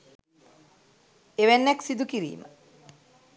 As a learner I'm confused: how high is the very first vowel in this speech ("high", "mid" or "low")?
mid